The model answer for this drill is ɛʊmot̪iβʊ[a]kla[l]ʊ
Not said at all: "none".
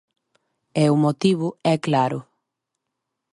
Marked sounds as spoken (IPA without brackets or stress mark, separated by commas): ɛ, ɾ